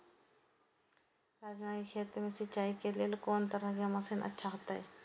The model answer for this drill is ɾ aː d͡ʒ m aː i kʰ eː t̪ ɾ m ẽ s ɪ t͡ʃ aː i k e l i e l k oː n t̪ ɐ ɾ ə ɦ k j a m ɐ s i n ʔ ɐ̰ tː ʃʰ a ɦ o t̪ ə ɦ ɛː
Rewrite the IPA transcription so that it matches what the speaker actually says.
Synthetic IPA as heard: ɾ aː d͡ʒ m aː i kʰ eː t̪ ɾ m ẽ s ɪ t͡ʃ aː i k e l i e l k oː n t̪ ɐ ɾ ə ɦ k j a m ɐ s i n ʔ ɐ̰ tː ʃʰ a ɦ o t̪ a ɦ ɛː